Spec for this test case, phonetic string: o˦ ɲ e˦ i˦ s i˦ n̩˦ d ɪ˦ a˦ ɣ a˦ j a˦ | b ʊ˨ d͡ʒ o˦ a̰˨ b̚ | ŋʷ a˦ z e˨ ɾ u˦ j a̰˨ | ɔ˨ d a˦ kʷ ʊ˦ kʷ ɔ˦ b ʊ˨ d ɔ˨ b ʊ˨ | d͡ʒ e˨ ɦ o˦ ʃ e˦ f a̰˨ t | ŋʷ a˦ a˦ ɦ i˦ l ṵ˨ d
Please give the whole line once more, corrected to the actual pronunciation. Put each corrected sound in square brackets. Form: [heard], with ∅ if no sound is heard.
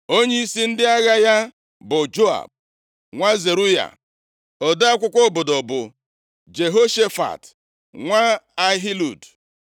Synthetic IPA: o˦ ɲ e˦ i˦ s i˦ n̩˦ d ɪ˦ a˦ ɣ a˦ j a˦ | b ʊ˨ d͡ʒ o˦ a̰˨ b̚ | ŋʷ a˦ z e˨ ɾ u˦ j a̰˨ | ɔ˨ d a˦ kʷ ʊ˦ kʷ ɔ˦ b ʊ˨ d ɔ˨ b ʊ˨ | d͡ʒ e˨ ɦ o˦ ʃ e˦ f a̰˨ t | ŋʷ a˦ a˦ ɦ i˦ l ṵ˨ d